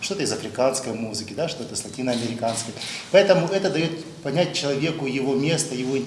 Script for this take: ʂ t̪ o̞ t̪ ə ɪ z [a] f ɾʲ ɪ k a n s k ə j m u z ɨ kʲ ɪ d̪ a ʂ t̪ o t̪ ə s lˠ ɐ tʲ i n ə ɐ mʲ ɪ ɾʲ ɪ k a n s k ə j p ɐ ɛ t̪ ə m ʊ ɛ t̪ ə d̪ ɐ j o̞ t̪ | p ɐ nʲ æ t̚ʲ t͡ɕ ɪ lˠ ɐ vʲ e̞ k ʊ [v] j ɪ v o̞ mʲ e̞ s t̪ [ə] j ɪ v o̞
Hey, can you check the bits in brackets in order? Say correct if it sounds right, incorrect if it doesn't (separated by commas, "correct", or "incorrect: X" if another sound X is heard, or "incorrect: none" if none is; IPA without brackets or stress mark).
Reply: incorrect: ɐ, incorrect: none, correct